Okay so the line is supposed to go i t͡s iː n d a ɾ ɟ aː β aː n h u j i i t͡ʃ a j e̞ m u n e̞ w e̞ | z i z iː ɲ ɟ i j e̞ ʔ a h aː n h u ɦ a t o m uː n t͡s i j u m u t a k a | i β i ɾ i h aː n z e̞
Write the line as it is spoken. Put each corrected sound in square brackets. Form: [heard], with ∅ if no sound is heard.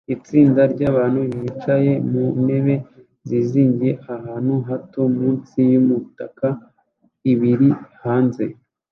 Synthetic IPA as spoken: i t͡s iː n d a ɾ ɟ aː β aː n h u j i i t͡ʃ a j e̞ m u n e̞ [β] e̞ | z i z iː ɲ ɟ i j e̞ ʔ a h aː n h u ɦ a t o m uː n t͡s i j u m u t a k a | i β i ɾ i h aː n z e̞